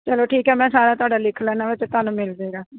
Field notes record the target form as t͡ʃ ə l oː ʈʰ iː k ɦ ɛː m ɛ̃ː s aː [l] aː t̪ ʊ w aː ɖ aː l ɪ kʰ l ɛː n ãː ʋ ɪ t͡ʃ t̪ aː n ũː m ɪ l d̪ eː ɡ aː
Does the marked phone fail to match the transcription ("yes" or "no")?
yes